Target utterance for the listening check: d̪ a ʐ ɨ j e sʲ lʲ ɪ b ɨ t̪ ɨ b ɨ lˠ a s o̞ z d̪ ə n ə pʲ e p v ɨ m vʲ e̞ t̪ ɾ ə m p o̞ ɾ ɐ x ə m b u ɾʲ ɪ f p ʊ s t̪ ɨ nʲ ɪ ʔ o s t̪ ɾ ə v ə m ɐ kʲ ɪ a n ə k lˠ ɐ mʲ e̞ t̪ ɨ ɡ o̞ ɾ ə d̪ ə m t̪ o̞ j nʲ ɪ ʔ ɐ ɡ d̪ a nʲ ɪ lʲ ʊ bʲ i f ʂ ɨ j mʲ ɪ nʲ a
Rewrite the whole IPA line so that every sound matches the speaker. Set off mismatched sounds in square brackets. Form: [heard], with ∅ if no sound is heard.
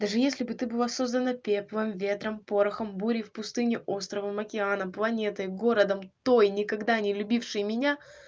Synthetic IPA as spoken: d̪ a ʐ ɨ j e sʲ lʲ ɪ b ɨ t̪ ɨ b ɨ lˠ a s o̞ z d̪ ə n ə pʲ e p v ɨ m vʲ e̞ t̪ ɾ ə m p o̞ ɾ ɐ x ə m b u ɾʲ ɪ f p ʊ s t̪ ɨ nʲ ɪ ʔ o s t̪ ɾ ə v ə m ɐ kʲ ɪ a n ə [p] lˠ ɐ [nʲ] e̞ t̪ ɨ ɡ o̞ ɾ ə d̪ ə m t̪ o̞ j nʲ ɪ [k] ɐ ɡ d̪ a nʲ ɪ lʲ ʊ bʲ i f ʂ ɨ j mʲ ɪ nʲ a